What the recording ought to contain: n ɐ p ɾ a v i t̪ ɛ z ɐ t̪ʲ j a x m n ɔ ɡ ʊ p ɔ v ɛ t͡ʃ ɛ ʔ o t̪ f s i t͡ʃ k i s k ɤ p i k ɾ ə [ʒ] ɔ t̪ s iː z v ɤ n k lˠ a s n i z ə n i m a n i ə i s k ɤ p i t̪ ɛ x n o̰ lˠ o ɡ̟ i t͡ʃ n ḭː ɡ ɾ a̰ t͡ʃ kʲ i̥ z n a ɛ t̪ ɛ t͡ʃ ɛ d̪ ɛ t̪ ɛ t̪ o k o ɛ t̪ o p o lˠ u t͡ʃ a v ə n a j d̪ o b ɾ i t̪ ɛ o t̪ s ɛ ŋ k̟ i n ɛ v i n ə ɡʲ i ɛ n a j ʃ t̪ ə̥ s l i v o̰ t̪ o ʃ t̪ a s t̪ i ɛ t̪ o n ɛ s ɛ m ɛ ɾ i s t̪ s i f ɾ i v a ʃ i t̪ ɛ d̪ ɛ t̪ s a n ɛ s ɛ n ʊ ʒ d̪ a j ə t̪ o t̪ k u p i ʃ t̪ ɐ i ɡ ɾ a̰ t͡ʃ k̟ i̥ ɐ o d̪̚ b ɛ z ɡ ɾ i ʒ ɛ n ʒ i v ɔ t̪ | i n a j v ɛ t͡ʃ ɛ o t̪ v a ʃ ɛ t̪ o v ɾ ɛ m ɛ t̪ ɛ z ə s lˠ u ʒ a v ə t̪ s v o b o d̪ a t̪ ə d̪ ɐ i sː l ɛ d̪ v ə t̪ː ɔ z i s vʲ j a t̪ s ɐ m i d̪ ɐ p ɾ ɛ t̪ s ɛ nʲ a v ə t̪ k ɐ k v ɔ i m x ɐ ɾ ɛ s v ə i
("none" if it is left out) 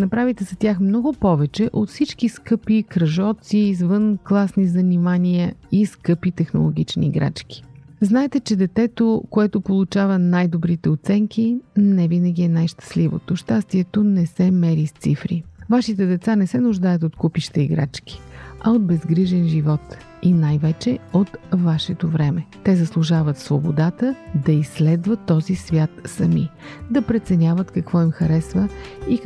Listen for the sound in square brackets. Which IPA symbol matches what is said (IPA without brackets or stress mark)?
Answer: ʒ